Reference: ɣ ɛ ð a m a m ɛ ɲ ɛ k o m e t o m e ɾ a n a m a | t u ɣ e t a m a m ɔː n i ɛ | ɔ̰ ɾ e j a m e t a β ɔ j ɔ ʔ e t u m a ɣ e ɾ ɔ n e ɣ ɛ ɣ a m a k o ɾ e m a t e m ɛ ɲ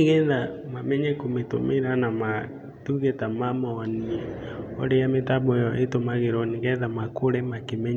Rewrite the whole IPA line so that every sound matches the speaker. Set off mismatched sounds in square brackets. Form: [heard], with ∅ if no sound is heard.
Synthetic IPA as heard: ɣ ɛ ð a m a m ɛ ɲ ɛ k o m e t o m e ɾ a n a m a | t u ɣ e t a m a m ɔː n i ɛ | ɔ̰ ɾ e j a m e t a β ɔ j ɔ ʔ e t [o] m a ɣ e ɾ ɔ n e ɣ ɛ [ð] a m a k o ɾ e m a [k] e m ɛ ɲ